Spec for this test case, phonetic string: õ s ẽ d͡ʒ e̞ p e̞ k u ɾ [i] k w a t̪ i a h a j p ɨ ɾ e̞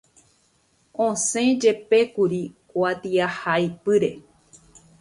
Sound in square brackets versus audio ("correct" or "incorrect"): correct